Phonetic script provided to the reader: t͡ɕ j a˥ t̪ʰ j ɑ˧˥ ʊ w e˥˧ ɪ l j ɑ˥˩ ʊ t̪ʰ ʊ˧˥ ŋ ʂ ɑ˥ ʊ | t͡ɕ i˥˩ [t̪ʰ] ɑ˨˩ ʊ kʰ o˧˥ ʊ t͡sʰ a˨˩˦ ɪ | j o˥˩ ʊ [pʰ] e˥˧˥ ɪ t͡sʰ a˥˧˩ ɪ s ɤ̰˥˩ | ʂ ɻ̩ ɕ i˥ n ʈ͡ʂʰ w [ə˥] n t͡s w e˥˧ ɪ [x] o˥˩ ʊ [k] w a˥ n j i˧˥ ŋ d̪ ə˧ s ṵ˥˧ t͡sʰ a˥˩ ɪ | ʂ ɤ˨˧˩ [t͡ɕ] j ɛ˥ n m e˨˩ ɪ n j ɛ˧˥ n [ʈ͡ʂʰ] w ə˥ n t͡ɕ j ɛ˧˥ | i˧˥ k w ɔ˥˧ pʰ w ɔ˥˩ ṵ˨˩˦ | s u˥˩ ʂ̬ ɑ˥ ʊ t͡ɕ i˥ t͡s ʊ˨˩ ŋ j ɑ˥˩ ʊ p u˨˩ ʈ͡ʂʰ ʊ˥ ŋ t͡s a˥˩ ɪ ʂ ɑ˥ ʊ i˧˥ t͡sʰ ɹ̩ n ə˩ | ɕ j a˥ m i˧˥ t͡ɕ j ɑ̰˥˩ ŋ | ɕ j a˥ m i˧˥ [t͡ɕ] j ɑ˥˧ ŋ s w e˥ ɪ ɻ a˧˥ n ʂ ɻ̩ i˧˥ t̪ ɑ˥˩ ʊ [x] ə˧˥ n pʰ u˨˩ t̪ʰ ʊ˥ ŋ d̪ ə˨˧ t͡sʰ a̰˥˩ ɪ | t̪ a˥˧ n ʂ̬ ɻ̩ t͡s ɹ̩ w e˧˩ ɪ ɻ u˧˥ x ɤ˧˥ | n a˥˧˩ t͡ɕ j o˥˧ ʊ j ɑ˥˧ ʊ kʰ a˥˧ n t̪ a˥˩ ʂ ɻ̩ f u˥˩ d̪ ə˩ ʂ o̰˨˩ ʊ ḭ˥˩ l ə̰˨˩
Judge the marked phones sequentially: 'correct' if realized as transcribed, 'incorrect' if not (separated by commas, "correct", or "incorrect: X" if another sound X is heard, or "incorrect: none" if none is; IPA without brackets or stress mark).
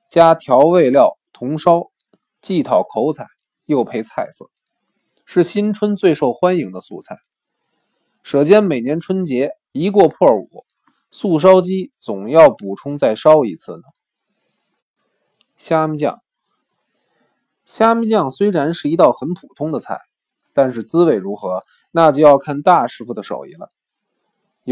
correct, correct, correct, incorrect: ʂ, incorrect: x, correct, correct, correct, correct